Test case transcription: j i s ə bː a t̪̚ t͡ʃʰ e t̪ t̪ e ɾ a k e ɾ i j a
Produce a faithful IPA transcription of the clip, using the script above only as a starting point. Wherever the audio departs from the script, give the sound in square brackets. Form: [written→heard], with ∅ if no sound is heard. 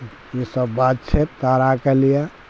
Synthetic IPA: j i s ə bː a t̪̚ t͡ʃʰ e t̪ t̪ [e→a] ɾ a k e [ɾ→l] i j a